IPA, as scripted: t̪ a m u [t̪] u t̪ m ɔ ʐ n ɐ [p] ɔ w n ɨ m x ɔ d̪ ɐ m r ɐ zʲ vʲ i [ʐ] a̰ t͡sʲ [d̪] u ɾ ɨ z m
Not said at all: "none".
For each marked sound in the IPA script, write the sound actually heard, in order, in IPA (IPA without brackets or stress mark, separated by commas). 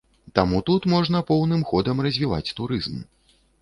t̪, p, v, t̪